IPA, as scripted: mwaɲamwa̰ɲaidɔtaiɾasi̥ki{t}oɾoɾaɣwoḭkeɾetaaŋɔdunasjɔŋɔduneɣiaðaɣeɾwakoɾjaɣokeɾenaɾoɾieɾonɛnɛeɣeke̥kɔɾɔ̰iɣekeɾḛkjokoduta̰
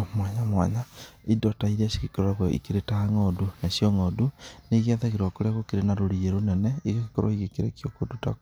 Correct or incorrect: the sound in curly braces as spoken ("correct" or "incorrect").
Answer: incorrect